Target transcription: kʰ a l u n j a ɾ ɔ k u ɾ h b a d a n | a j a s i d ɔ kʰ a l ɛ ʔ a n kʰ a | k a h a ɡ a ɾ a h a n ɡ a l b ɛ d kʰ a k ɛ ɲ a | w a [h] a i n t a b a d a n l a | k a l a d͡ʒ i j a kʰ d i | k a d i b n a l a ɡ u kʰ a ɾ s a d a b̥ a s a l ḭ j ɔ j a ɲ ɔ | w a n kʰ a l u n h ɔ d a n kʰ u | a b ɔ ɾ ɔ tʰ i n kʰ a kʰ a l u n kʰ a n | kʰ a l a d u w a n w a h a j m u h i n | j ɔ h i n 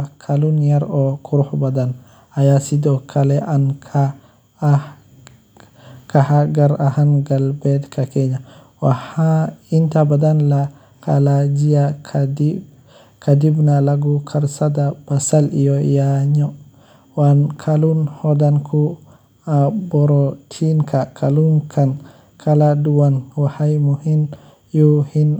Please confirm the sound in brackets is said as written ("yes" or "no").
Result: yes